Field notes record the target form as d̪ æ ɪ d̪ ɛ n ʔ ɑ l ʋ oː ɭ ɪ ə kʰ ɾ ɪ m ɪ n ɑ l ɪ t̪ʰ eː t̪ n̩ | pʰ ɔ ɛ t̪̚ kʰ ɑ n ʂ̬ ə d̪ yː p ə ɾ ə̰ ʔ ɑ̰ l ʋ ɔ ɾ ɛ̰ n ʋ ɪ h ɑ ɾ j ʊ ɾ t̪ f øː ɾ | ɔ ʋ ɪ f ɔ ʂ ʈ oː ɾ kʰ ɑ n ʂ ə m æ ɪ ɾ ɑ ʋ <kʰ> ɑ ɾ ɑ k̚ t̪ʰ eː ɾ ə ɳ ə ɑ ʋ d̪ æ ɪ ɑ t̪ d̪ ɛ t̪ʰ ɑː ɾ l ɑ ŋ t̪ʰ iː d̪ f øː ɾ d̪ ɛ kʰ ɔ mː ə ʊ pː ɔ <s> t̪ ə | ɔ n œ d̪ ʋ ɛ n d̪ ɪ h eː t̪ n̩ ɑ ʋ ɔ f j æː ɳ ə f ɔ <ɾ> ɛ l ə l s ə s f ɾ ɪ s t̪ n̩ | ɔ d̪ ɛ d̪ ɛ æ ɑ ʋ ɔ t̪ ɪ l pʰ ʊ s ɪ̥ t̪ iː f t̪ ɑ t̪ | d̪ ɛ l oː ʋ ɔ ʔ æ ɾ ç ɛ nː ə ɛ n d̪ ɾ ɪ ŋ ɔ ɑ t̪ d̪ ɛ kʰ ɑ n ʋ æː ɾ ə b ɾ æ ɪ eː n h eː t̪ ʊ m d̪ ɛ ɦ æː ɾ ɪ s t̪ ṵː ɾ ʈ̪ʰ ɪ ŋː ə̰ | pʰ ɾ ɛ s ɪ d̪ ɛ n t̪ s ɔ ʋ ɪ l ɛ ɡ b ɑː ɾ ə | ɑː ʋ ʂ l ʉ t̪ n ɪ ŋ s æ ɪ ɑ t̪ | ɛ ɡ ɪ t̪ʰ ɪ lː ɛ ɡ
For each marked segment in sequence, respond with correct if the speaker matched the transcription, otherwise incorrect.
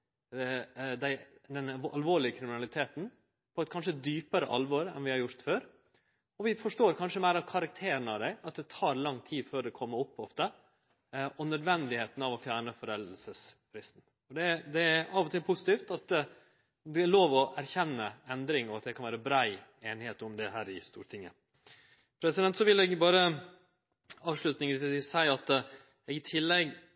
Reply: correct, incorrect, correct

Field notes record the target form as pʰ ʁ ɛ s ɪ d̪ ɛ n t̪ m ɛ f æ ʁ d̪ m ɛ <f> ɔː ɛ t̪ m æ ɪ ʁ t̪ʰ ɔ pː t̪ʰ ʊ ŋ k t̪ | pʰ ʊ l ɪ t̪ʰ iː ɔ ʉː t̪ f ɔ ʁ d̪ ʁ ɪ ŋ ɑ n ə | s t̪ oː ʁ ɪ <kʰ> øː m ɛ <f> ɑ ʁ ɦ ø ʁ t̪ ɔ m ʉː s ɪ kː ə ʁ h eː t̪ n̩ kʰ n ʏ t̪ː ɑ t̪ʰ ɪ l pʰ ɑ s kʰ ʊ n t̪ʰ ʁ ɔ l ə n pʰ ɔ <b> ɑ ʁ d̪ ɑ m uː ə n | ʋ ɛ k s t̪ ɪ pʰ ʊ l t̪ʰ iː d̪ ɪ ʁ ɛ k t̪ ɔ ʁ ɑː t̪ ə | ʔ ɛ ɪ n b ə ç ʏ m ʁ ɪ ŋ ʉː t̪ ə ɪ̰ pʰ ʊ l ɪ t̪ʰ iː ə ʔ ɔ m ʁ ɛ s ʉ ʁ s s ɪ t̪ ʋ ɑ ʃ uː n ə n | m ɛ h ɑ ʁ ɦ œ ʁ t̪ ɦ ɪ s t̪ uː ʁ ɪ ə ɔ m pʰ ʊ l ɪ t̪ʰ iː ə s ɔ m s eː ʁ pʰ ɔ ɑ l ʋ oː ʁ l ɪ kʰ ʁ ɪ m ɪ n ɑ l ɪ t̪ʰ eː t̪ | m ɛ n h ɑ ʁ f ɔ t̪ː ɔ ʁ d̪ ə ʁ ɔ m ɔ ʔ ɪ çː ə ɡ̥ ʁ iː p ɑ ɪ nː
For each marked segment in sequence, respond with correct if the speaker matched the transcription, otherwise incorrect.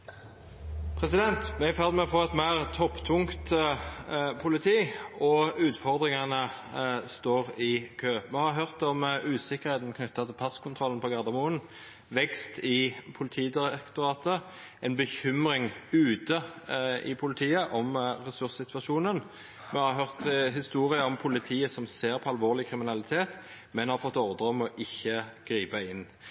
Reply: correct, correct, incorrect, incorrect

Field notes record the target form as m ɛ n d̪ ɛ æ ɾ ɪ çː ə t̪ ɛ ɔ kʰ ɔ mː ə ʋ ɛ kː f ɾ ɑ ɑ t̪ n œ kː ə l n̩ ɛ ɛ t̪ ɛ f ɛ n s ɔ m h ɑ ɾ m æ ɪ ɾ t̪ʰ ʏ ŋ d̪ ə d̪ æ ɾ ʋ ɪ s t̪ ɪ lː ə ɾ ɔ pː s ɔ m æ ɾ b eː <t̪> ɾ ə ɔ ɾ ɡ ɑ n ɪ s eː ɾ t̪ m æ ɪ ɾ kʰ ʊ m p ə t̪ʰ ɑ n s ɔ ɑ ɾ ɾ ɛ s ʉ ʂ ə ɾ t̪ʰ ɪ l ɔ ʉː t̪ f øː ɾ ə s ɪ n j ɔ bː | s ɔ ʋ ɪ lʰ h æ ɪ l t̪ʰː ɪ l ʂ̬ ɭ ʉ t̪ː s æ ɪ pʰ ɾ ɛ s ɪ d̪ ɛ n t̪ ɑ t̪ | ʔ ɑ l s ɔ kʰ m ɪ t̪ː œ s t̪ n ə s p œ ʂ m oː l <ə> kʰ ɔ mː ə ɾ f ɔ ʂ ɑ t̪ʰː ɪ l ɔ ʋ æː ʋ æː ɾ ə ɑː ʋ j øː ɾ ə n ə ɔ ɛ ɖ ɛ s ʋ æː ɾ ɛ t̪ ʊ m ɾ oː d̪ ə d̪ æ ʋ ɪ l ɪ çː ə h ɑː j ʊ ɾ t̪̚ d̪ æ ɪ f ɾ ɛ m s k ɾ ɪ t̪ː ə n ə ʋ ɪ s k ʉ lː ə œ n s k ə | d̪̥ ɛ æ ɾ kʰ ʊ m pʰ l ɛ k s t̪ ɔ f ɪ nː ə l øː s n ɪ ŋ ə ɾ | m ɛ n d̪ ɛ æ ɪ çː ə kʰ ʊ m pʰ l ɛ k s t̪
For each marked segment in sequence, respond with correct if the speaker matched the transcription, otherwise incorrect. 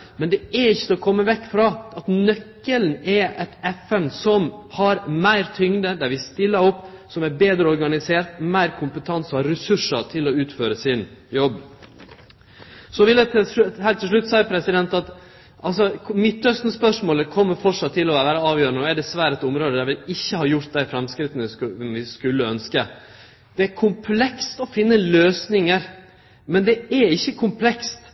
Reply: incorrect, correct

